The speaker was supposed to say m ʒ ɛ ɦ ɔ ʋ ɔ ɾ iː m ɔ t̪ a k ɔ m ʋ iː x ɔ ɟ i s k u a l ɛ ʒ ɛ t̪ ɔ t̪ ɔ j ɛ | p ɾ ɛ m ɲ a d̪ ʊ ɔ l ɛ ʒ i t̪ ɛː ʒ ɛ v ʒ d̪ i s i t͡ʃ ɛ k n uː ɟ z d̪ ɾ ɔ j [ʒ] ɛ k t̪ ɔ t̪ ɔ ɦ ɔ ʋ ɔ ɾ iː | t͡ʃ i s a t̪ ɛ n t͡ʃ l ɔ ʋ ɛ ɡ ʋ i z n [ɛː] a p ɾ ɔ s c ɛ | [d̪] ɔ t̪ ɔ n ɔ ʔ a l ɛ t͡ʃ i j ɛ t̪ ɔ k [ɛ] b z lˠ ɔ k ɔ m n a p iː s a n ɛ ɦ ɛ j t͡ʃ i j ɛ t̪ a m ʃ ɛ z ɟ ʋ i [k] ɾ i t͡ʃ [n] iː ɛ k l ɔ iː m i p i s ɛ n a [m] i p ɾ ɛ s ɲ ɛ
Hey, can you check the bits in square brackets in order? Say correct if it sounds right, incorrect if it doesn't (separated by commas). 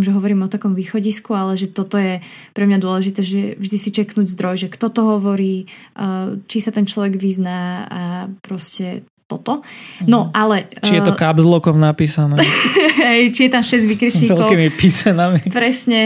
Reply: correct, incorrect, incorrect, incorrect, correct, incorrect, correct